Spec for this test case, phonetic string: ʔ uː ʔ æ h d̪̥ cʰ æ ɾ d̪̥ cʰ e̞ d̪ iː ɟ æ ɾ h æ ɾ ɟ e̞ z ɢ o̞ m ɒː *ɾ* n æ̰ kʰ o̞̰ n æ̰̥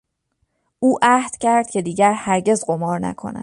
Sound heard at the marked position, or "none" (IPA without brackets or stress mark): ɾ